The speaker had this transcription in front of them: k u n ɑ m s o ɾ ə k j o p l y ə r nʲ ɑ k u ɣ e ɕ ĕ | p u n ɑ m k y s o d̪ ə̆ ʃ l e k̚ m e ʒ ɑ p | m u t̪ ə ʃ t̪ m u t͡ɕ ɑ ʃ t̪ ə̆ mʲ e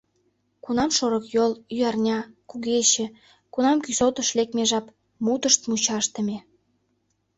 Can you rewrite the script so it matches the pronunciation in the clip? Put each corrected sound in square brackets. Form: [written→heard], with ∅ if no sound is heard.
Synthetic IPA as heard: k u n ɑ m [s→ʃ] o ɾ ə k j o [p→∅] l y [ə→ɑ] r nʲ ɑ k u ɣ e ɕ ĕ | [p→k] u n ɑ m k y s o [d̪→t̪] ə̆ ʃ l e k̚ m e ʒ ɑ p | m u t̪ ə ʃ t̪ m u t͡ɕ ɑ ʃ t̪ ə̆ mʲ e